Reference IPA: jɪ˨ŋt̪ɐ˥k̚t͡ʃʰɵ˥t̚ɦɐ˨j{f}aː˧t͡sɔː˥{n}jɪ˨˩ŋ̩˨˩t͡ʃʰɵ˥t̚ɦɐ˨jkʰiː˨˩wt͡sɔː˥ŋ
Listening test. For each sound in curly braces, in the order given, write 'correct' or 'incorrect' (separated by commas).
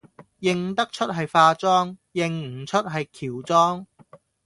correct, incorrect